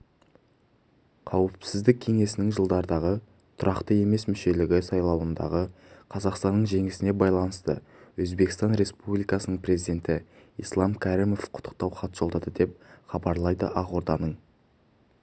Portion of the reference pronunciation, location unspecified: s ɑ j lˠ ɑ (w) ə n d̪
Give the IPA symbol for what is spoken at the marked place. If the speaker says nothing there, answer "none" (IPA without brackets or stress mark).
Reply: w